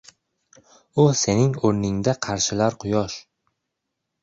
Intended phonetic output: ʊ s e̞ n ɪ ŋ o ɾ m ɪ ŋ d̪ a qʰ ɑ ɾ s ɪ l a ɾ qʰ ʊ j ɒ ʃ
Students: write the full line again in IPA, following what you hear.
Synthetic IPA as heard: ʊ s e̞ n ɪ ŋ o ɾ n ɪ ŋ d̪ a qʰ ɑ ɾ ʃ ɪ l a ɾ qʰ ʊ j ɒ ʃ